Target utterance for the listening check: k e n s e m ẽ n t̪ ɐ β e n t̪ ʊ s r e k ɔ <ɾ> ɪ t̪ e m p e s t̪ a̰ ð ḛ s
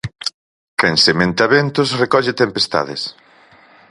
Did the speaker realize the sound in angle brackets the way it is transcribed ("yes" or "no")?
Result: no